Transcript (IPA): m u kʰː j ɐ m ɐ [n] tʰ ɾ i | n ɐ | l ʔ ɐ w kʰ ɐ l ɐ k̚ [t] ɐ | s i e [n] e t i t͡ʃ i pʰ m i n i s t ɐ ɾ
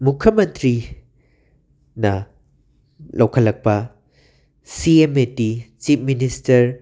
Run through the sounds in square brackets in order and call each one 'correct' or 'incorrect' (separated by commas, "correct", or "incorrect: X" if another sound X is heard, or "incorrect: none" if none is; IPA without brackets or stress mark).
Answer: correct, incorrect: p, incorrect: m